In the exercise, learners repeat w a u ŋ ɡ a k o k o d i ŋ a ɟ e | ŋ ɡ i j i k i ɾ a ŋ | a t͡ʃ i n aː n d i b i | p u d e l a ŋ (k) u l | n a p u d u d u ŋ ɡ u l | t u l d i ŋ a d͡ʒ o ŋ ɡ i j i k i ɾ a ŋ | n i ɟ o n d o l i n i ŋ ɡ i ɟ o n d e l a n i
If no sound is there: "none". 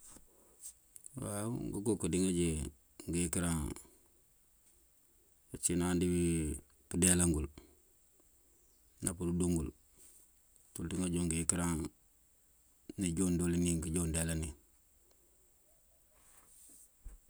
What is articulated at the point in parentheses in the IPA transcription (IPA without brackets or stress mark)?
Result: ɡ